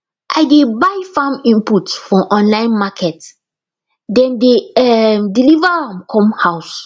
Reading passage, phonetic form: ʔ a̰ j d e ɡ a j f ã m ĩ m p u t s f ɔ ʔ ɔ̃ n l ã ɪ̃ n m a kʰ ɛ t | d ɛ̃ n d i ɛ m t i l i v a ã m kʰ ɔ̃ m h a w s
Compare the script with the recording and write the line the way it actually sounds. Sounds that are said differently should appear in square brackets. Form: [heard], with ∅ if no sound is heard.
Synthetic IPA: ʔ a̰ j d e [b] a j f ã m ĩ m p u t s f ɔ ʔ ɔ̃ n l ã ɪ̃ n m a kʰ ɛ t | d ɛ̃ n d [e] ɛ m [d] i l i v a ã m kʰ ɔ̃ m h a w s